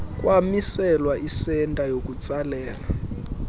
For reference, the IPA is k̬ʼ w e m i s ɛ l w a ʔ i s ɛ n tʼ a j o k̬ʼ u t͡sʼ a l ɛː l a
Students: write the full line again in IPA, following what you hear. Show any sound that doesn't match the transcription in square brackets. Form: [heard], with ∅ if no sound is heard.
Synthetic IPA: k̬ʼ w [a] m i s ɛ l w a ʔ i s ɛ n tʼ a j o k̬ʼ u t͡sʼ a l ɛː l a